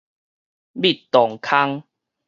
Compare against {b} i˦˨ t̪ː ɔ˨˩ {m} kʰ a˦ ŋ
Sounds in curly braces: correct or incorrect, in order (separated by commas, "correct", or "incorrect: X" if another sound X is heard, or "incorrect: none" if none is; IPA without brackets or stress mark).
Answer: correct, incorrect: ŋ